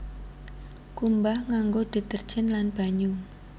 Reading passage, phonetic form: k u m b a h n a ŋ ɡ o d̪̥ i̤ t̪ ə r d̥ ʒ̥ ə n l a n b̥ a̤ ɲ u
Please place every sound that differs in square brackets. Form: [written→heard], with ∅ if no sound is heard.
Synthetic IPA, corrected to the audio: k u m b a h [n→ŋ] a ŋ ɡ o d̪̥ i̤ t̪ ə r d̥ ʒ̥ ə n l a n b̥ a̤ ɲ u